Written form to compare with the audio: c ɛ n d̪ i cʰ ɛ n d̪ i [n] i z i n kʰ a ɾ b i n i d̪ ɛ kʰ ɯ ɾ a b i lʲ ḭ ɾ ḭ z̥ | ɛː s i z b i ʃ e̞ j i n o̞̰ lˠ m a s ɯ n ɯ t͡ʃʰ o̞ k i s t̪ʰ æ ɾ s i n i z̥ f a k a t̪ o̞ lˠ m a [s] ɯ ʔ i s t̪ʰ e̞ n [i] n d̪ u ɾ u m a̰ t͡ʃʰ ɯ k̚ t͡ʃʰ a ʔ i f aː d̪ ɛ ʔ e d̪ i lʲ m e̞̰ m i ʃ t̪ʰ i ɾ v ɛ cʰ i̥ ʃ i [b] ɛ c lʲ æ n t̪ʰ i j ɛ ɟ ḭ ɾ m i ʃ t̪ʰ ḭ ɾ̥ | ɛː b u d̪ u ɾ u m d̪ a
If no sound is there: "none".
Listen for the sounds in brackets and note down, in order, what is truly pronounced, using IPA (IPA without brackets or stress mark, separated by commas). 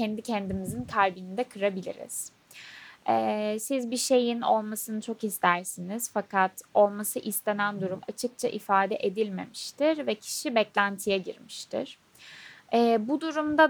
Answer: m, s, æ, b